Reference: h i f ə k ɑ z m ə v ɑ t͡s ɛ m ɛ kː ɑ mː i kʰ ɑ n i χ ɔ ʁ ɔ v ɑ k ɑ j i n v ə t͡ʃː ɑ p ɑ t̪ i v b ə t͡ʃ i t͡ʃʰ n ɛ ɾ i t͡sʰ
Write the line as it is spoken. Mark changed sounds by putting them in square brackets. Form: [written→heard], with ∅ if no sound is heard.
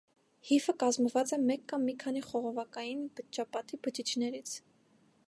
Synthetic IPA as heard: h i f ə k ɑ z m ə v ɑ t͡s ɛ m ɛ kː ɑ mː i kʰ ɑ n i χ ɔ ʁ ɔ v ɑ k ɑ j i n [v→b] ə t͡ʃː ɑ p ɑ t̪ i [v→∅] b ə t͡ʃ i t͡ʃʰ n ɛ ɾ i t͡sʰ